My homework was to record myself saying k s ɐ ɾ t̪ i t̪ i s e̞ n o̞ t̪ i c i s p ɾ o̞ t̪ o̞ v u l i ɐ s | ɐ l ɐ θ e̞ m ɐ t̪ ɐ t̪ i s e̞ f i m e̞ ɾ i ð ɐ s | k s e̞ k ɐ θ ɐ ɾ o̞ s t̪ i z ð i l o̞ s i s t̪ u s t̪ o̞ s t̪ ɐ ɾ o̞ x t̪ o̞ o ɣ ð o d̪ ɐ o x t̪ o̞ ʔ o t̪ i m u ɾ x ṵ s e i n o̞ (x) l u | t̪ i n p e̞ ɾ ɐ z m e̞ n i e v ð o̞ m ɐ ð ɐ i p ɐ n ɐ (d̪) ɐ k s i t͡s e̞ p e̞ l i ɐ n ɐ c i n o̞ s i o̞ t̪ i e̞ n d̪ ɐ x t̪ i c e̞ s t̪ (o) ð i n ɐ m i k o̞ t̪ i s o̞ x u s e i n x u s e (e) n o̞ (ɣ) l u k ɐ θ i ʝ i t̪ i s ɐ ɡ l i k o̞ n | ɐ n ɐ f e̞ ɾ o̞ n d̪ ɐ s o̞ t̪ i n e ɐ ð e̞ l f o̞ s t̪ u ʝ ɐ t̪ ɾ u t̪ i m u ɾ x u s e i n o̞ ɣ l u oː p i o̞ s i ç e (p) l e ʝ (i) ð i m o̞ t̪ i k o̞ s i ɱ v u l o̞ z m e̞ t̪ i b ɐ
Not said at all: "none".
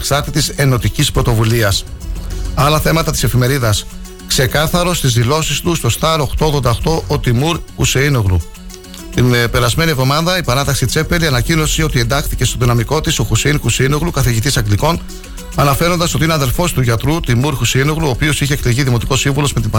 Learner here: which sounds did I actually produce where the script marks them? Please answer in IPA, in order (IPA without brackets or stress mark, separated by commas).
ɣ, t̪, o, i, ɣ, k, i